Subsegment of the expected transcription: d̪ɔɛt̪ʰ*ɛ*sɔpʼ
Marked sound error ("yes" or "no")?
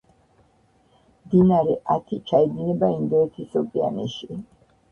yes